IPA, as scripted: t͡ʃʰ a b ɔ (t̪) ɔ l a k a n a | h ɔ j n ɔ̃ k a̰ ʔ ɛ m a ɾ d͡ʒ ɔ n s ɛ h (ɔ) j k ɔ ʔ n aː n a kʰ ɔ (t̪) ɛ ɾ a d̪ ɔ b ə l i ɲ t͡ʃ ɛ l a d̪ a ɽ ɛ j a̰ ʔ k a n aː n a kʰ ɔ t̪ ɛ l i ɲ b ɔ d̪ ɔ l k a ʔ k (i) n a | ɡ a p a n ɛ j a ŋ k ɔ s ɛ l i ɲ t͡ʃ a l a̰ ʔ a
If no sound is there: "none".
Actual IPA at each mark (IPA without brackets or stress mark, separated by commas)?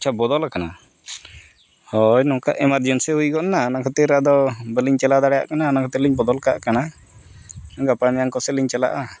d̪, u, t̪, a